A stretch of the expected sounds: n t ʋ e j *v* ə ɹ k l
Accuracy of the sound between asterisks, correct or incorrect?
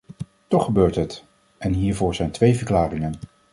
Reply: correct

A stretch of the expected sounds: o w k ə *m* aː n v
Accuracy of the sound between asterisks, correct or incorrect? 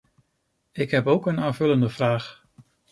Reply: incorrect: n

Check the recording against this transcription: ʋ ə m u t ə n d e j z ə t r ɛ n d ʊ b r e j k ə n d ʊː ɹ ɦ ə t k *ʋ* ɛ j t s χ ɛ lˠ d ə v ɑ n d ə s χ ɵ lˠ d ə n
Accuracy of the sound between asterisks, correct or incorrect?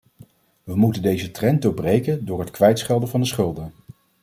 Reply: correct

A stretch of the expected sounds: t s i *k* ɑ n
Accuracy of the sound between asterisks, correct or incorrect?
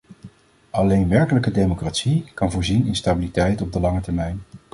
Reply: correct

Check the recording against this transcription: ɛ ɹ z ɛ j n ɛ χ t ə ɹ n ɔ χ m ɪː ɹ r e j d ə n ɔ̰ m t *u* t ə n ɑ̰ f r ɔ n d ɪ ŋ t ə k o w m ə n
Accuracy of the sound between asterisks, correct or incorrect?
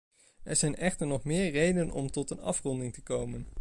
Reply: incorrect: ɔ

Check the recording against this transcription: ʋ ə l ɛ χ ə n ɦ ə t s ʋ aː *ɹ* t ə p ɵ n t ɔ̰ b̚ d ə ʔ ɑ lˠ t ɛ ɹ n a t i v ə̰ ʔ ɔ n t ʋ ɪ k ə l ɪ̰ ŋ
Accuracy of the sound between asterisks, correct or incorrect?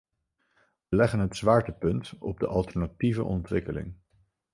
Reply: correct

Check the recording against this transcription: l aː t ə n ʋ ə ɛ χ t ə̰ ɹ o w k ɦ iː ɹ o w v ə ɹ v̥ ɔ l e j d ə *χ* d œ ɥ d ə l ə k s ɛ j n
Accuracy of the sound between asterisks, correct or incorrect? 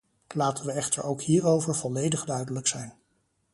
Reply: correct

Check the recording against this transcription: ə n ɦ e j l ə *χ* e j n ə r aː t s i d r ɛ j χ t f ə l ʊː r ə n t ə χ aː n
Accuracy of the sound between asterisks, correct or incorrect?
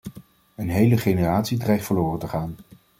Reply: correct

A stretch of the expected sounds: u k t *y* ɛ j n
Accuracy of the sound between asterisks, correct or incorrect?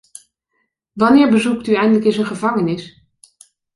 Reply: correct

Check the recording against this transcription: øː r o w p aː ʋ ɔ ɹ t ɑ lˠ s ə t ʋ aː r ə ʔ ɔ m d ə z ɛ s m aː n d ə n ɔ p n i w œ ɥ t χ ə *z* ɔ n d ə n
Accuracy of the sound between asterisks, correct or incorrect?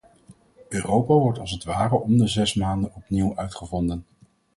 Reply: incorrect: v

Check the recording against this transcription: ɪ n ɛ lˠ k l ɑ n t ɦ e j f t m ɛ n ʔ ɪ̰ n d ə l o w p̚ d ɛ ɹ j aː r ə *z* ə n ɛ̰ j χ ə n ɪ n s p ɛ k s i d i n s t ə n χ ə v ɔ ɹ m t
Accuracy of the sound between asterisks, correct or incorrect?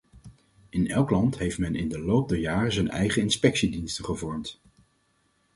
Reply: correct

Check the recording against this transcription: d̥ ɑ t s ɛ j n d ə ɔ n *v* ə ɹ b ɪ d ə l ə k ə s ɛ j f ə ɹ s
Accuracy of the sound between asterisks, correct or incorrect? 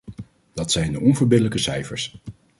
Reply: correct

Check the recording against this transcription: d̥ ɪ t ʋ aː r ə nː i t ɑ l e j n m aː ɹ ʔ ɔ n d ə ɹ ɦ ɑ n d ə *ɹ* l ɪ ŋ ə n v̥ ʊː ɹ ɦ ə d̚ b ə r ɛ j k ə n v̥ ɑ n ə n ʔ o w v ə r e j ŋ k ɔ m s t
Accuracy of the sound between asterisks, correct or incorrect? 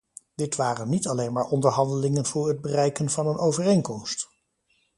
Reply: incorrect: none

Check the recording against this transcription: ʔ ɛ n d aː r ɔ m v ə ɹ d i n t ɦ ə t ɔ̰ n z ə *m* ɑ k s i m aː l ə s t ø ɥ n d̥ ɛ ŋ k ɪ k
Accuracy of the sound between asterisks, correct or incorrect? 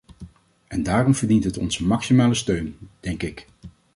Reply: correct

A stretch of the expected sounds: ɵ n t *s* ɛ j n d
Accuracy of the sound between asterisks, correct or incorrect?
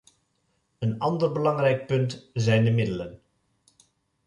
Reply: incorrect: z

